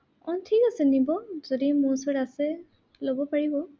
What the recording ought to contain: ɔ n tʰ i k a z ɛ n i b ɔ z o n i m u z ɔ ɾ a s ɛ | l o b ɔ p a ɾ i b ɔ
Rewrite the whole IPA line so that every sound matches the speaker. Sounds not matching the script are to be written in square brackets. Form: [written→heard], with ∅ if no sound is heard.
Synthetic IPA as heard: ɔ n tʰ i k a [z→s] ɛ n i b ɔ z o [n→d] i m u [z→s] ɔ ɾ a s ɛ | l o b ɔ p a [ɾ→ɹ] i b ɔ